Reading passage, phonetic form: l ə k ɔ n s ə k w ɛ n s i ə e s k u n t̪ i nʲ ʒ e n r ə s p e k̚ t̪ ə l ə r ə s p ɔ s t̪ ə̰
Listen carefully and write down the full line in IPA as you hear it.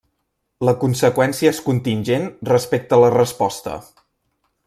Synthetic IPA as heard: l ə k u n s ə k w ɛ n s i ə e s k u n t̪ i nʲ ʒ e n r ə s p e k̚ t̪ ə l ə r ə s p ɔ s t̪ ə̰